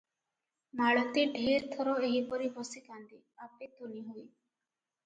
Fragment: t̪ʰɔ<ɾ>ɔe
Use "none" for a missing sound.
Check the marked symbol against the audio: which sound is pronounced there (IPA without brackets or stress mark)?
ɾ